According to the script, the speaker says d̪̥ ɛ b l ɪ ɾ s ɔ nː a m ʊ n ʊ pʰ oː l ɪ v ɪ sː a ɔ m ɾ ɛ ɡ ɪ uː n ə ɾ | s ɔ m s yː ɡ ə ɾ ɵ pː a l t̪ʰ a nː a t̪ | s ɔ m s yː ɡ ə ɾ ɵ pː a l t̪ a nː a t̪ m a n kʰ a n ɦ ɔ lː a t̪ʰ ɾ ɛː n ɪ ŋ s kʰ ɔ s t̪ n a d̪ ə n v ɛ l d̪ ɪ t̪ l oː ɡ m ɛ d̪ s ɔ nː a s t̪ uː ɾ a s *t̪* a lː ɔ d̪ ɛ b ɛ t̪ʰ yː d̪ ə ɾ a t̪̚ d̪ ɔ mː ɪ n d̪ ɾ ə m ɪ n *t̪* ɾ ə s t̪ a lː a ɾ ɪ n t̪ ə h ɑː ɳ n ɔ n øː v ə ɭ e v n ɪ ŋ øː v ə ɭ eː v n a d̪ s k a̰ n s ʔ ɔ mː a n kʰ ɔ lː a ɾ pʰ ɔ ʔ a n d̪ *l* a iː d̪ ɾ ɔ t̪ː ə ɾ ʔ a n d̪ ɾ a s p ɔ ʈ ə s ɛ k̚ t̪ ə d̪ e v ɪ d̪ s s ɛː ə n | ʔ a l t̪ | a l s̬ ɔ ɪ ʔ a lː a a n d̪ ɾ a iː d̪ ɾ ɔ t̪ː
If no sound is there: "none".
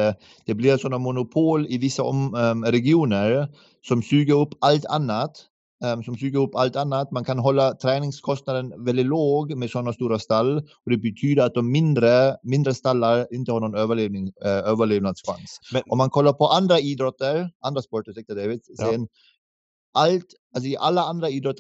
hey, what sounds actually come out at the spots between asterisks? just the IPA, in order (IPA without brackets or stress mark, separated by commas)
t̪, d̪, ɾ